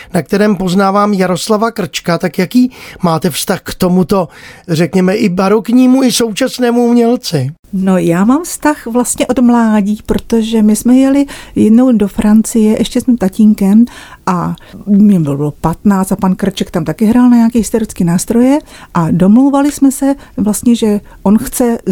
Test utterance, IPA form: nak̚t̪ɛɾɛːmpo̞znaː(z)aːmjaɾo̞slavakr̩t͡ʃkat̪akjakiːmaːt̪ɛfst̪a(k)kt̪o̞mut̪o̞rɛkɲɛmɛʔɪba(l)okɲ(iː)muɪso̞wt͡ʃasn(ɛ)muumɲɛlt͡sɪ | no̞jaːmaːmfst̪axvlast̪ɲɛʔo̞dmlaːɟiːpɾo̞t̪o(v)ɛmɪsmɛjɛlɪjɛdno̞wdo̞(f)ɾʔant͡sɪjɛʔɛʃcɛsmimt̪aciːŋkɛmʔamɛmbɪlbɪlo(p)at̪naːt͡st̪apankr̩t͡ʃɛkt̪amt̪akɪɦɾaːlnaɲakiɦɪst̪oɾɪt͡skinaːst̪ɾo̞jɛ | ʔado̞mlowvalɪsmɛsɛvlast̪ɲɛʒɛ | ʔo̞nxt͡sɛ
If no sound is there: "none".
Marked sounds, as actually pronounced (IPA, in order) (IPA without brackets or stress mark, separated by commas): v, x, ɾ, iː, ɛː, ʒ, f, p